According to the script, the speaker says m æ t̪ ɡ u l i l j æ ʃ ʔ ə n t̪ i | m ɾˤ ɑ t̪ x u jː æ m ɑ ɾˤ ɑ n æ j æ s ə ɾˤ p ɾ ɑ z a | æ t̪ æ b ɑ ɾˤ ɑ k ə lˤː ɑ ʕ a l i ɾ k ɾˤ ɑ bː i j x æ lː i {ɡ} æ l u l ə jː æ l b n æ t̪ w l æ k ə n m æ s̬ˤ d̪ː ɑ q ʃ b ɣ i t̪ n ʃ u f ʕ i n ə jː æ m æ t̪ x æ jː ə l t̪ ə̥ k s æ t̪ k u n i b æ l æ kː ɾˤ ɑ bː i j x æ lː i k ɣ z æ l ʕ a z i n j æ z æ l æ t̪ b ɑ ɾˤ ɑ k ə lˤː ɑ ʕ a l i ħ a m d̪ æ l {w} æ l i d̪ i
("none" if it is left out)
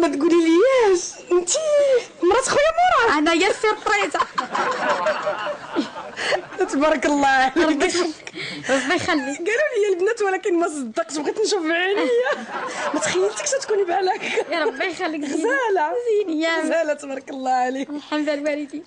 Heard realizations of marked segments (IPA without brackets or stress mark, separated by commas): ɡ, w